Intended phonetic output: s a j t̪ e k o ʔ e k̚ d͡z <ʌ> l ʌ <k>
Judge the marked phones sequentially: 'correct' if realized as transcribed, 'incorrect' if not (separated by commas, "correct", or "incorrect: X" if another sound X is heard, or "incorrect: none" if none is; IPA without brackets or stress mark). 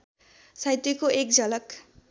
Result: correct, correct